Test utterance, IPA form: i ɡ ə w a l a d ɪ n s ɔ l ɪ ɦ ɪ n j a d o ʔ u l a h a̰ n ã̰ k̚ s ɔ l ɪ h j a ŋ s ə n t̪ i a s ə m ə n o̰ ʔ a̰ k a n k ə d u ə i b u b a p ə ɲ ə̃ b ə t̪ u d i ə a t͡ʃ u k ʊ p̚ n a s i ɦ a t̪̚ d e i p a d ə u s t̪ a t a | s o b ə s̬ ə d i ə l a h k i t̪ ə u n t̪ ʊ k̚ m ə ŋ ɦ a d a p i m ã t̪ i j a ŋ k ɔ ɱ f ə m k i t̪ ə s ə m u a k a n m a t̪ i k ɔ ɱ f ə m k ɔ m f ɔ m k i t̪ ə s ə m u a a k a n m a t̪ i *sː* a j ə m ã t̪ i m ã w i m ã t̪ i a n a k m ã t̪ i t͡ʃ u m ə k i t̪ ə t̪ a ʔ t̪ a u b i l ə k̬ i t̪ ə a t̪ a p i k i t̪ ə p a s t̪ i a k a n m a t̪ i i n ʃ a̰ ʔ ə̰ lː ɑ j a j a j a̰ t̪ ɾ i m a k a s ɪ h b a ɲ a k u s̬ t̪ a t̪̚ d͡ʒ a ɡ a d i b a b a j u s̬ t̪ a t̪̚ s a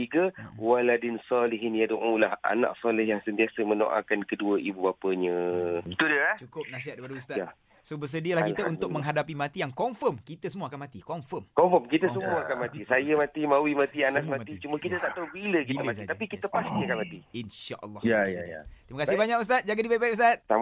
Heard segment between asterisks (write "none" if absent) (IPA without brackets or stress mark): s